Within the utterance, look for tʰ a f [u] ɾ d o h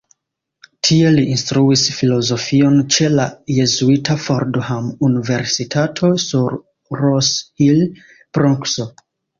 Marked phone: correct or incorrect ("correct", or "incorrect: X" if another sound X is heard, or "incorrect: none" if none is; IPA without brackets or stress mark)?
incorrect: o